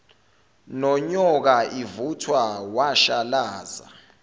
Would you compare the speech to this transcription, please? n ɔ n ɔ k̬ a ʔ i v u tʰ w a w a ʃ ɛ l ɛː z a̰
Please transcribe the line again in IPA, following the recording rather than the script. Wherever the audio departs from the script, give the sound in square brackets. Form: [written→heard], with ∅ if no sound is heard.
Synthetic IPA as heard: n ɔ [n→ɲ] ɔ k̬ a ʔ i v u tʰ w a w a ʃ [ɛ→a] l [ɛː→aː] z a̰

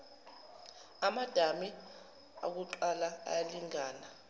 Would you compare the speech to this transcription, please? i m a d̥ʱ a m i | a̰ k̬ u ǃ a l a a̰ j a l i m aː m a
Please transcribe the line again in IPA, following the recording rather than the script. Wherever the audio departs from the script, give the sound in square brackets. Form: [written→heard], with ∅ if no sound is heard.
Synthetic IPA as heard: [i→a] m a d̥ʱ a m i | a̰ k̬ u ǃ a l a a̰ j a l i [m→ŋ] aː [m→n] a

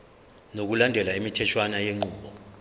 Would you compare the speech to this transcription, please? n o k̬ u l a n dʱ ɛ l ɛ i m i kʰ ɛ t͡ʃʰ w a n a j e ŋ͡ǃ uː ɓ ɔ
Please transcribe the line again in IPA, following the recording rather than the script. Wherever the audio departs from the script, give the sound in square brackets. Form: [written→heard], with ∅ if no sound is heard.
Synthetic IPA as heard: n o k̬ u l a n dʱ ɛ l [ɛ→a] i m i [kʰ→tʰ] ɛ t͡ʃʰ w a n a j e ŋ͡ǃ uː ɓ ɔ

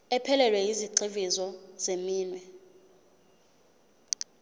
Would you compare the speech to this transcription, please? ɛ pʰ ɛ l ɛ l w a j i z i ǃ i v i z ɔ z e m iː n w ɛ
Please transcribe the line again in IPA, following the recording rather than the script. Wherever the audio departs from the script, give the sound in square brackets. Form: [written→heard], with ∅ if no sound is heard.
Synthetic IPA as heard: ɛ pʰ ɛ l ɛ l w [a→ɛ] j i z i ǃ i v i z ɔ z e m iː n w ɛ

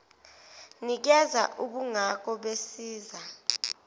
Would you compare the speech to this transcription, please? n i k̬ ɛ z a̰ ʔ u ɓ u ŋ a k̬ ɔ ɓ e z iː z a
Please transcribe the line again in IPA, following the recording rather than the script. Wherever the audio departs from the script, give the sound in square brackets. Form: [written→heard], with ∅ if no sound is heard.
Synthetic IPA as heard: n i k̬ ɛ z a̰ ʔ u ɓ u ŋ a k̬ ɔ ɓ e [z→s] iː z a

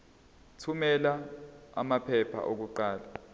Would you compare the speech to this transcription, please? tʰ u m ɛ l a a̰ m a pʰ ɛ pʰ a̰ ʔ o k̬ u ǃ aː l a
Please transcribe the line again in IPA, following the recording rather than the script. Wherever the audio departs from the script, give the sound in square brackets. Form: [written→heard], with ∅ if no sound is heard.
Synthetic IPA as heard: tʰ u m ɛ l a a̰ m a pʰ ɛ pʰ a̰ ʔ o k̬ u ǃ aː l a

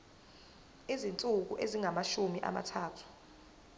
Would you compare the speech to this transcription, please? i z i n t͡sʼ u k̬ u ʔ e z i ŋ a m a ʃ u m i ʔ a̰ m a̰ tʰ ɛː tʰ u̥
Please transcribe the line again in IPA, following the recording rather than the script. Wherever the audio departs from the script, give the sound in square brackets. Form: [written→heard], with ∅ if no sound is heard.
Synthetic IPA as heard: i z i n t͡sʼ u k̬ u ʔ e z i ŋ a m a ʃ u m i ʔ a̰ m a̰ tʰ [ɛː→aː] tʰ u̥

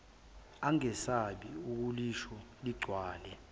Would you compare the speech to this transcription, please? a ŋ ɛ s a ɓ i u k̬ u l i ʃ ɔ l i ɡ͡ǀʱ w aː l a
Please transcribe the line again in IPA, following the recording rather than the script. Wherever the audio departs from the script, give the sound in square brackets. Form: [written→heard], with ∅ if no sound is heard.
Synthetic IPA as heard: a ŋ ɛ s a ɓ i u k̬ u l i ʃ ɔ l i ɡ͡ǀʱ w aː l [a→ɛ]

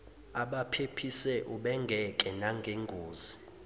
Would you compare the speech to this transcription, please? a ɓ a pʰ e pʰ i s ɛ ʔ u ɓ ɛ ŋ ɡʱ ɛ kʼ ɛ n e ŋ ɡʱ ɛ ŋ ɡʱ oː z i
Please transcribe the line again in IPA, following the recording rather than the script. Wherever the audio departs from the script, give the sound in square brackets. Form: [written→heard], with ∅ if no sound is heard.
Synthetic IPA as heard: a ɓ a pʰ e pʰ i s ɛ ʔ u ɓ ɛ ŋ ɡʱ ɛ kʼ ɛ n [e→a] ŋ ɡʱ [ɛ→e] ŋ ɡʱ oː z i

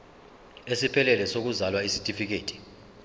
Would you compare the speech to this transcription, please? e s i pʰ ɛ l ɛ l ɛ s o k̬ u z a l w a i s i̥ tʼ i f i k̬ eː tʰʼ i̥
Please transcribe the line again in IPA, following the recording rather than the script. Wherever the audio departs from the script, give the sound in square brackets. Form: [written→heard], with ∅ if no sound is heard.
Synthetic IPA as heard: e s i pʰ ɛ l ɛ l ɛ s o k̬ u z a l w a i s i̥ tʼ i f i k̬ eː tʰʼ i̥

